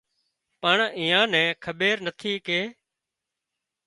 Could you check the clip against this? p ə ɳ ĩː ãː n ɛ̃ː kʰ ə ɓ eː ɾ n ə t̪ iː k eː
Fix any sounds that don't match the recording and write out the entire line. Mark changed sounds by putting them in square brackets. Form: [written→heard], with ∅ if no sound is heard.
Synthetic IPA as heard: p ə ɳ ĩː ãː n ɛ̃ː kʰ ə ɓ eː ɾ n ə [t̪→t̪ʰ] iː k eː